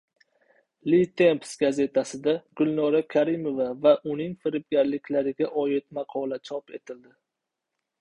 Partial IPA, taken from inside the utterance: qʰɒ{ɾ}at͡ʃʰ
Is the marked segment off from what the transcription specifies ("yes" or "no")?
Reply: yes